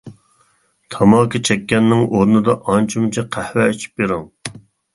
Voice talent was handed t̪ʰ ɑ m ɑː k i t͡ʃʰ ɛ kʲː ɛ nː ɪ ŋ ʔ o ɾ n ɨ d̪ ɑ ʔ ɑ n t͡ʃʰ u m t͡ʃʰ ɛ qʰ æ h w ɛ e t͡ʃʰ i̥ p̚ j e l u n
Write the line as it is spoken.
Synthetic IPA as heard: t̪ʰ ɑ m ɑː k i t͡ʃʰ ɛ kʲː ɛ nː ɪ ŋ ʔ o ɾ n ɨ d̪ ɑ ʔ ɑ n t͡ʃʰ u m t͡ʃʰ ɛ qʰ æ h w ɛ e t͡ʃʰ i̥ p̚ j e ɾ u ŋ